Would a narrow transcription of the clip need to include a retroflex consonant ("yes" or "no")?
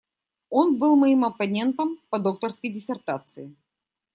no